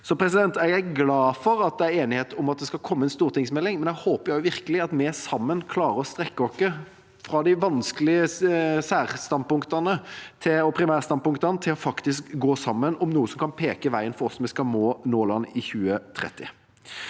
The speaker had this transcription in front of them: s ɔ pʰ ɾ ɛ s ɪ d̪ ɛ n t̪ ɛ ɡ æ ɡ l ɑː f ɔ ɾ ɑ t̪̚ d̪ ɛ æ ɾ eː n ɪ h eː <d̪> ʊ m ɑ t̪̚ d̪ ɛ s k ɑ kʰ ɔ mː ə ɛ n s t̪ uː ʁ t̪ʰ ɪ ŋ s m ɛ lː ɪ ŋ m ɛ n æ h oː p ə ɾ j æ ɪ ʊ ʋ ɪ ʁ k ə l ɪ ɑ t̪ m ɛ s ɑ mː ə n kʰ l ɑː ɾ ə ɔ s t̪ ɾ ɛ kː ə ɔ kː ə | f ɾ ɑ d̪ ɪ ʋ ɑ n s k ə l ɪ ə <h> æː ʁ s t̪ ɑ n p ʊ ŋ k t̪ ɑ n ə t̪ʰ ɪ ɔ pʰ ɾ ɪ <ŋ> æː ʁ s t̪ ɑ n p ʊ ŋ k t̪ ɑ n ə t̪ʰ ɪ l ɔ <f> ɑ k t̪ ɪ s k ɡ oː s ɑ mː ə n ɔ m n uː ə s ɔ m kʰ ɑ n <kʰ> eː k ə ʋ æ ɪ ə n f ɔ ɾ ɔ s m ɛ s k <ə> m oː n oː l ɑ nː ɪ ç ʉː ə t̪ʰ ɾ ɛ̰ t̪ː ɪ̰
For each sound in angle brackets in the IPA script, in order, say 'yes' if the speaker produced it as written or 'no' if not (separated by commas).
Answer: no, no, no, yes, no, no